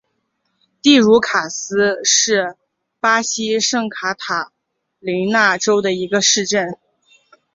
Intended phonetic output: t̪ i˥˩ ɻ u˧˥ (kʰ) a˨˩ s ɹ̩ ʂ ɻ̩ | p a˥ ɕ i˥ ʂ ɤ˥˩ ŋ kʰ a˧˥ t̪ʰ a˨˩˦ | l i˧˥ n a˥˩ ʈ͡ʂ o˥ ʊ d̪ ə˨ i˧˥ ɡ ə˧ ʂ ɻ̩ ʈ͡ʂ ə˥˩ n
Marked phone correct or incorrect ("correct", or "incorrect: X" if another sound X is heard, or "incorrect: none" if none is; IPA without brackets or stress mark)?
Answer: correct